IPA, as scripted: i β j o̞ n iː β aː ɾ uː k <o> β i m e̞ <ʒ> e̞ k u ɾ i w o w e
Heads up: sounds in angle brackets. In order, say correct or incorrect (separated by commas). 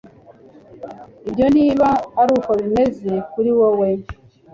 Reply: correct, incorrect